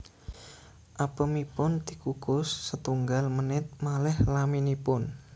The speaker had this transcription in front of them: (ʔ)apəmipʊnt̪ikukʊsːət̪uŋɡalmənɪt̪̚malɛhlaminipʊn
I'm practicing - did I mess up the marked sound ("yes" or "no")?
no